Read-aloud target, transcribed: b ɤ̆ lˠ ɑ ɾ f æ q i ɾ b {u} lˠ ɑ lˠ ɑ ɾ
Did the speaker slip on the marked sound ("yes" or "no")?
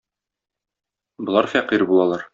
no